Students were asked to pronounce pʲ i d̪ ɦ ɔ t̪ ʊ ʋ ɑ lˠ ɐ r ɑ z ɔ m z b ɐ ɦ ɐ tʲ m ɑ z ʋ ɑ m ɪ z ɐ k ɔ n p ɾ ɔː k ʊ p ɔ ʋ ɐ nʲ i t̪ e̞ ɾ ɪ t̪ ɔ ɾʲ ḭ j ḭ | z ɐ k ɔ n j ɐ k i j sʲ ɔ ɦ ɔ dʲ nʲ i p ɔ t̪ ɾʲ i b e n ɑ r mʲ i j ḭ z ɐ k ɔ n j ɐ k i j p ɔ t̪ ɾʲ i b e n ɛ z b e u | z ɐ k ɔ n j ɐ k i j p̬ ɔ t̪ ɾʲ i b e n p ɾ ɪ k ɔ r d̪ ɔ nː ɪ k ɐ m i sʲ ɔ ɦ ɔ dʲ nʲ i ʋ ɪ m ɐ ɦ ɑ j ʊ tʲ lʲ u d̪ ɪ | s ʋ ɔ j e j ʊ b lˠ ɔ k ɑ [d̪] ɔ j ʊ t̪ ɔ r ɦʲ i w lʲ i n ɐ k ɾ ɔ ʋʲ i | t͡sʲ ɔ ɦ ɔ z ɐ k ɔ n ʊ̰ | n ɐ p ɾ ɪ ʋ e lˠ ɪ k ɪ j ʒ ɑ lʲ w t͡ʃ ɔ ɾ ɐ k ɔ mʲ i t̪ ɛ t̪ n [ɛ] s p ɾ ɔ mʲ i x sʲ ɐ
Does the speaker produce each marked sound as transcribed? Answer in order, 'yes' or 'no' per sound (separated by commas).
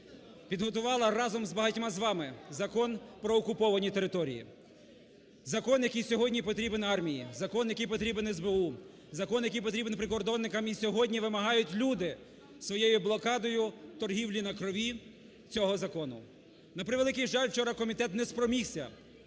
yes, yes